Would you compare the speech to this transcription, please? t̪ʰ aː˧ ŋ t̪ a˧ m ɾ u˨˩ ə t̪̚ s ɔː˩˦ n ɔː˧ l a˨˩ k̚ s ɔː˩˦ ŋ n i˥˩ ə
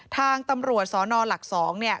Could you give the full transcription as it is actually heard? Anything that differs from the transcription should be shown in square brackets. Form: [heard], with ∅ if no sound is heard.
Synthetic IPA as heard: t̪ʰ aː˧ ŋ t̪ a˧ m ɾ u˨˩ ə t̪̚ s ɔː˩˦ n ɔː˧ l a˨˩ k̚ s ɔː˩˦ ŋ n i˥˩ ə